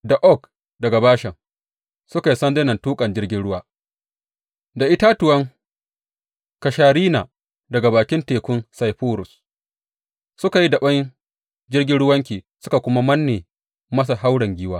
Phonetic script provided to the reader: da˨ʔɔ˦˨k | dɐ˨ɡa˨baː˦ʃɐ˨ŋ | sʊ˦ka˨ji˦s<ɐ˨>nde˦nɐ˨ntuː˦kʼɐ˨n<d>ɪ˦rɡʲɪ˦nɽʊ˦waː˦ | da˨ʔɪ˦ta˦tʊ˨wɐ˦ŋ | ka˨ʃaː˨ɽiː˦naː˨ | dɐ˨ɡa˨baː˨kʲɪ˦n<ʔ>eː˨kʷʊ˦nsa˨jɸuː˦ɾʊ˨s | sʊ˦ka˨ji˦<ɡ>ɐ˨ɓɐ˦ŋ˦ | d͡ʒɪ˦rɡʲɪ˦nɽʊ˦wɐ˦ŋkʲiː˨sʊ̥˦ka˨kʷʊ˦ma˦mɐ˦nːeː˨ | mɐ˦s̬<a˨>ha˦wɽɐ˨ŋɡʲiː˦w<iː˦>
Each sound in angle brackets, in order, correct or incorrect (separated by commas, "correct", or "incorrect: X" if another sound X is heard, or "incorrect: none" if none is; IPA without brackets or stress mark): incorrect: ɐ˦, incorrect: d͡ʒ, incorrect: t, incorrect: d, correct, incorrect: aː˦